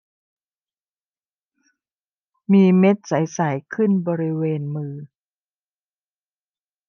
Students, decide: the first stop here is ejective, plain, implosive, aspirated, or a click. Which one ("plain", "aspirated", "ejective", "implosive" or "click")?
plain